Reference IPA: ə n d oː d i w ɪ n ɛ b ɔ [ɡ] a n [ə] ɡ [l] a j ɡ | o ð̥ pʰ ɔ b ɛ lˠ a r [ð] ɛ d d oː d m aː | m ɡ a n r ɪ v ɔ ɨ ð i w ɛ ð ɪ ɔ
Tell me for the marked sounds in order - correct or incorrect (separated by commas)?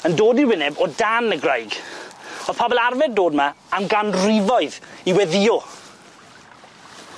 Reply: incorrect, correct, incorrect, incorrect